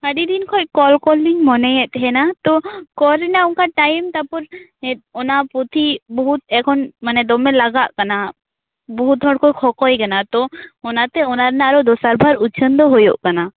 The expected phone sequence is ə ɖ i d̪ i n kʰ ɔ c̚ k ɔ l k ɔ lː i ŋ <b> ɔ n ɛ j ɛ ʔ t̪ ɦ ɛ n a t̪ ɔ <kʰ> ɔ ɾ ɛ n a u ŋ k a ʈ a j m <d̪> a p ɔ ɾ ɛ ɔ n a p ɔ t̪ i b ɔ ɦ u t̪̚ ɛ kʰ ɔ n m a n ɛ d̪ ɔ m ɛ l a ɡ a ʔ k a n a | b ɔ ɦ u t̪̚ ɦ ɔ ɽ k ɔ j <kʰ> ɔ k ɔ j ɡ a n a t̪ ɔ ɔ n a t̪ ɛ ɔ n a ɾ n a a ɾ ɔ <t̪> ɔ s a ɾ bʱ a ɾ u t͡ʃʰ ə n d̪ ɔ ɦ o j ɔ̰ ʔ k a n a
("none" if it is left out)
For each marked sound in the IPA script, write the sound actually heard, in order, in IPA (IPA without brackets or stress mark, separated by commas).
m, k, t̪, kʰ, d̪